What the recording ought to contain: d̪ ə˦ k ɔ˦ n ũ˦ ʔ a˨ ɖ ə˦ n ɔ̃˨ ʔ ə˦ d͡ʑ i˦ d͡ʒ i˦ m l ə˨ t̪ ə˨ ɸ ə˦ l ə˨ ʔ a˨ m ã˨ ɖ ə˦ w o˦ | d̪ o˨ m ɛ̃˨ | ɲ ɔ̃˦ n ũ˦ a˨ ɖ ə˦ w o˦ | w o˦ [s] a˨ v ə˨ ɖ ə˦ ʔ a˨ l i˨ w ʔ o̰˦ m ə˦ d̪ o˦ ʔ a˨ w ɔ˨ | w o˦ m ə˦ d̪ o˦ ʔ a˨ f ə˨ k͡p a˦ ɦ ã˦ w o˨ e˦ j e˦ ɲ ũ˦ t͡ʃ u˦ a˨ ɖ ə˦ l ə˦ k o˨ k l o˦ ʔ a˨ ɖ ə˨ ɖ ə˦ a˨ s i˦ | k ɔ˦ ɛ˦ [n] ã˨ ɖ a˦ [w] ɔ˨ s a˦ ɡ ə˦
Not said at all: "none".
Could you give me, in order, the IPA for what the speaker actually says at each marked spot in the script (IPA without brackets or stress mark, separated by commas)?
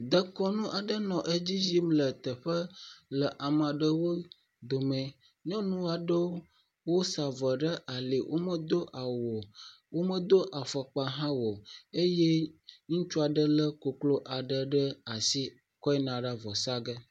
s, n, v